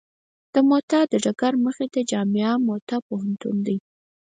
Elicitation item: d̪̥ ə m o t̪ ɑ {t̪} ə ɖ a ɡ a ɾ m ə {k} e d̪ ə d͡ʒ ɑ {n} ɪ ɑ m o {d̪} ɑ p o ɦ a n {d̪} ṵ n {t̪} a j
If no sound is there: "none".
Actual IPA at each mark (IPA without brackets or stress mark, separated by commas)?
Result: d̪, x, m, t̪, t̪, d̪